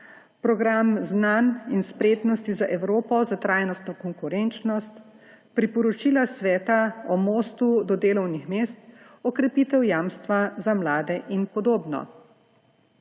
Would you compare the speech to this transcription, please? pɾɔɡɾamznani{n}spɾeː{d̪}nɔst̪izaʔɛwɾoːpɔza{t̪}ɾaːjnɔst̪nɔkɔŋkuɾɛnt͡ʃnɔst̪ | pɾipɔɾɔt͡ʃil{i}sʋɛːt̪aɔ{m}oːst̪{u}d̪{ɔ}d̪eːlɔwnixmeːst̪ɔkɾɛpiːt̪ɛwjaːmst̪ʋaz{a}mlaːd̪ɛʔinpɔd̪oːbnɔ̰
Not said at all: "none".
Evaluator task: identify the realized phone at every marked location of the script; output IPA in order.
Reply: n, t̪, t̪, a, m, u, ɔ, a

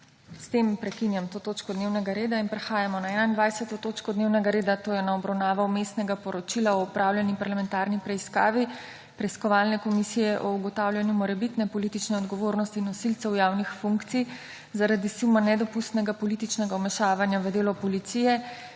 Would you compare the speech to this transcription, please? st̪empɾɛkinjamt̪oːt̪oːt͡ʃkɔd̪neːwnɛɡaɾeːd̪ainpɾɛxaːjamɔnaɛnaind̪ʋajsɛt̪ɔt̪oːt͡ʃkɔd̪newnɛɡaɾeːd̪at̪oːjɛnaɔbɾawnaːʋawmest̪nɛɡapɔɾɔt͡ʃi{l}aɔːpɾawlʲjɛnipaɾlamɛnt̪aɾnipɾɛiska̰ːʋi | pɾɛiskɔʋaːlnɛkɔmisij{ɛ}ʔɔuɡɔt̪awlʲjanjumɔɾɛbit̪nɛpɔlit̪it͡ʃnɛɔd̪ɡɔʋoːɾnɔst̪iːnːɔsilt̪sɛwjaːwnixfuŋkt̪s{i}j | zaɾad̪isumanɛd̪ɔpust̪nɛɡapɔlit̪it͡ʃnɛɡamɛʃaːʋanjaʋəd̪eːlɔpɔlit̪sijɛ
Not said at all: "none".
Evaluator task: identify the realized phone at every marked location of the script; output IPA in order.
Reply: l, ɛ, i

